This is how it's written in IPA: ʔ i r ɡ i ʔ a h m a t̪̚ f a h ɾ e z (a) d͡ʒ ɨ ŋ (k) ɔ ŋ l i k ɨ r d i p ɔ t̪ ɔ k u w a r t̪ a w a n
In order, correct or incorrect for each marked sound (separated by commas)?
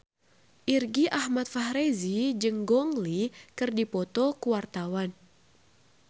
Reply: incorrect, incorrect